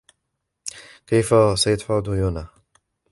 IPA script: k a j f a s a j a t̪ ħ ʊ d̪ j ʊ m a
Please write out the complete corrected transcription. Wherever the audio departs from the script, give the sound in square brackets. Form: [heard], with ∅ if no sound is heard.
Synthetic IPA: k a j f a s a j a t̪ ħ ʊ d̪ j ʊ [n] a